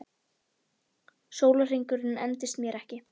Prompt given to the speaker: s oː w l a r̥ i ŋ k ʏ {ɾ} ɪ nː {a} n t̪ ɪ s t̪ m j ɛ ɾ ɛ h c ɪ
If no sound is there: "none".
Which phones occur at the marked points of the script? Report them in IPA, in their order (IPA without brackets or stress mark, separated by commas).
ɾ, ɛ